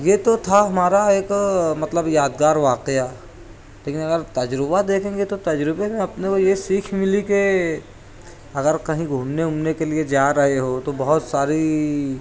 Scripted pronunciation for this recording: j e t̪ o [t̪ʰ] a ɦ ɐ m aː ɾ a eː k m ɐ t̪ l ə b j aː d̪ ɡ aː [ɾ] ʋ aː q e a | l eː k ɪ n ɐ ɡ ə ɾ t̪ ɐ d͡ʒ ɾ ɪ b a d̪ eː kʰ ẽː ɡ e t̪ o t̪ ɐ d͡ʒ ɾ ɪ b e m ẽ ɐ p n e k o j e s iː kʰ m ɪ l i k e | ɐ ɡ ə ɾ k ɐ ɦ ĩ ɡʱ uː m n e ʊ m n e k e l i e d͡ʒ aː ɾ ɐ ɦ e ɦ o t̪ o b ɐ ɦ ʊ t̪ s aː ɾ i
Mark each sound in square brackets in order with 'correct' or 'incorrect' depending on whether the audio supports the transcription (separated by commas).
correct, correct